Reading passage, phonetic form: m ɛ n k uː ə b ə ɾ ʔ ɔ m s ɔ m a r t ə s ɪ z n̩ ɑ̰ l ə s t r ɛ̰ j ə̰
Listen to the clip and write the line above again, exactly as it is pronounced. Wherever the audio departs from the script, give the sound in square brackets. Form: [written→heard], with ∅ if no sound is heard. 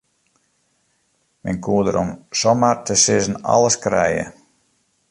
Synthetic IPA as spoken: m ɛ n k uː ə [b→d] ə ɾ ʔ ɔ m s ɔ m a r t ə s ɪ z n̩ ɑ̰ l ə s [t→k] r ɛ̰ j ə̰